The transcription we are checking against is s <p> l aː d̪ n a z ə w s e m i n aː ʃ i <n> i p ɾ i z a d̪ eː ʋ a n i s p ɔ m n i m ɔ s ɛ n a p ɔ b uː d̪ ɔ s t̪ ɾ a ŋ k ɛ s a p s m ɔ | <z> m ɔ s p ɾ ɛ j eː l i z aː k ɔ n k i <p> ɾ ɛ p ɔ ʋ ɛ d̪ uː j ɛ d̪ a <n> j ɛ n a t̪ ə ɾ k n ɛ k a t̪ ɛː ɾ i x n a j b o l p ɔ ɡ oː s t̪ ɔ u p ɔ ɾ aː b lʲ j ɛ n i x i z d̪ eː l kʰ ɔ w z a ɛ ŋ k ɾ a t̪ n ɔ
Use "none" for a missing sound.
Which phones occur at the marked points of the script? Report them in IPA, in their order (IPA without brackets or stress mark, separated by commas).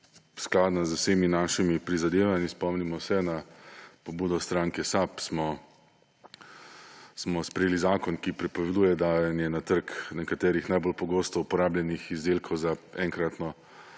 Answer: k, m, s, p, n